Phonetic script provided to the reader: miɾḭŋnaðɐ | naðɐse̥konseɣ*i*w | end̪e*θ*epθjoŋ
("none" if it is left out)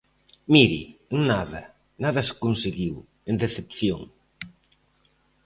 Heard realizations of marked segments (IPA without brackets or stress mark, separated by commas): i, θ